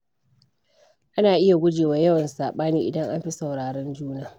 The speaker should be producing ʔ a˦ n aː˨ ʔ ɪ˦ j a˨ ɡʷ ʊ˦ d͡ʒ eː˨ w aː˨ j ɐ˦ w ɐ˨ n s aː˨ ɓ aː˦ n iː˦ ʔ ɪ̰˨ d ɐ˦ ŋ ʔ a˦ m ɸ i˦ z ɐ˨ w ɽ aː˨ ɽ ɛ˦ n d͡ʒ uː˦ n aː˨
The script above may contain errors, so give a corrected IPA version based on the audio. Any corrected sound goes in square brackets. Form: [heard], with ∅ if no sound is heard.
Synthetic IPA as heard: ʔ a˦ n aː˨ ʔ ɪ˦ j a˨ ɡʷ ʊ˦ d͡ʒ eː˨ w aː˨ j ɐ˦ w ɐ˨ n s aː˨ ɓ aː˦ n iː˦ ʔ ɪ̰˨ d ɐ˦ ŋ ʔ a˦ m ɸ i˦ [s] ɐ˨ w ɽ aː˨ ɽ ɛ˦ n d͡ʒ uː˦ n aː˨